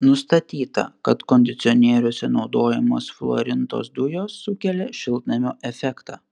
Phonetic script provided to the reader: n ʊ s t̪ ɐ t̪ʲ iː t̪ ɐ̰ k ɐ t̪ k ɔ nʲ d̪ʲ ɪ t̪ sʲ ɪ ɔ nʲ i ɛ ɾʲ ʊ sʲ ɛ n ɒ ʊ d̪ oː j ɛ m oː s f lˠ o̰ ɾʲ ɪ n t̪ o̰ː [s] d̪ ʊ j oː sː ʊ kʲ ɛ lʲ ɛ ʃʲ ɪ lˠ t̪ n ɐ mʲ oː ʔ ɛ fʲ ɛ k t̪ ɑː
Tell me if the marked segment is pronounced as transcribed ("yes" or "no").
yes